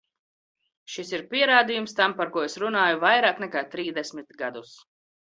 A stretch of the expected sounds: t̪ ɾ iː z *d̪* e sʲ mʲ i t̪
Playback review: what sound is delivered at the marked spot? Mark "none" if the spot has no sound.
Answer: d̪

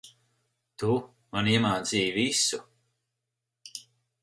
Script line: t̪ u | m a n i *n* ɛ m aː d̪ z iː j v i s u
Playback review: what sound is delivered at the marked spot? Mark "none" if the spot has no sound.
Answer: none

